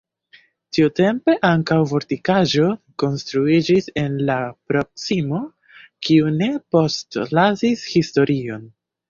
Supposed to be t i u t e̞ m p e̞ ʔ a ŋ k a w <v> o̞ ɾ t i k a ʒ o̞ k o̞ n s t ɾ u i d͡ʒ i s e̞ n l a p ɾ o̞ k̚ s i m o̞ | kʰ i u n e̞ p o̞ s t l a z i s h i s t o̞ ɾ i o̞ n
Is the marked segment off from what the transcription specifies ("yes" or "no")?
no